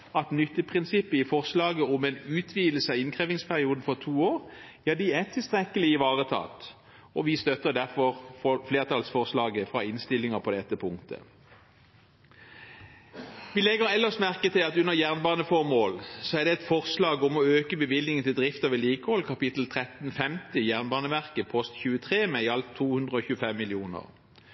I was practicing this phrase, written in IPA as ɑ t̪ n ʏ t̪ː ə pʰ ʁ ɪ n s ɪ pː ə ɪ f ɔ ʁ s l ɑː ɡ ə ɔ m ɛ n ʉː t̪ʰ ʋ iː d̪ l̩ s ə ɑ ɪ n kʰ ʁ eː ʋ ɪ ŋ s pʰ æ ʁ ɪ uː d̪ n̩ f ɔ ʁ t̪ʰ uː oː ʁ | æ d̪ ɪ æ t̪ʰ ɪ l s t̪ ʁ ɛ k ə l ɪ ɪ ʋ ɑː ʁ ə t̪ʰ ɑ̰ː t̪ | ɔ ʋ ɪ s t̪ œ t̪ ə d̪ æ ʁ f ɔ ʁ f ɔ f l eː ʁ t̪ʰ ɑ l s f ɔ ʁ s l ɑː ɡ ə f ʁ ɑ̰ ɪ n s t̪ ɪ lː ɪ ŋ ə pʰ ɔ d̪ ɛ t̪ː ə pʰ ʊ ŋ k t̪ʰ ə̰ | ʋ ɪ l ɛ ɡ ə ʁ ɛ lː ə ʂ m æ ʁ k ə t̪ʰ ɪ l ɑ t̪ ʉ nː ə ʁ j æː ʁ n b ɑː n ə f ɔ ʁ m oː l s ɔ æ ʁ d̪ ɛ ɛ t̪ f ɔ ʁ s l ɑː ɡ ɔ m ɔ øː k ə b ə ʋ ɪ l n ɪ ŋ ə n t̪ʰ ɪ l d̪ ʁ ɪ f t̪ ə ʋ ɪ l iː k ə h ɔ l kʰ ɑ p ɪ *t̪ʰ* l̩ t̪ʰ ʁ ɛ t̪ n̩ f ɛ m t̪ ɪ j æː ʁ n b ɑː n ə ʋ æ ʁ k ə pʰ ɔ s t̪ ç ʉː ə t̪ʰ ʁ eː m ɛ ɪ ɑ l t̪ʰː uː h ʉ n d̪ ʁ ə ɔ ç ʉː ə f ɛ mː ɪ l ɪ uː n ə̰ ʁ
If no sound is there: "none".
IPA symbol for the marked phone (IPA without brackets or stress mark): t̪